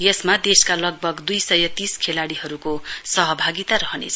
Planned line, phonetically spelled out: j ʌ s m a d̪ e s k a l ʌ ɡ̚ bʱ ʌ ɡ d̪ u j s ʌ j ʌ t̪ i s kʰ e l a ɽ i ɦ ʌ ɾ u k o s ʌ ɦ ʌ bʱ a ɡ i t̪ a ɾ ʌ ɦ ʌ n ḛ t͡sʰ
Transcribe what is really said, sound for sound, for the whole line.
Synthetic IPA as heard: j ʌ s m a d̪ e s k a l ʌ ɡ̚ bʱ ʌ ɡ d̪ u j s ʌ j ʌ t̪ i s kʰ e l a ɽ i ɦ ʌ ɾ u k o s ʌ ɦ ʌ bʱ a ɡ i t̪ a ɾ ʌ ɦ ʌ n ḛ t͡sʰ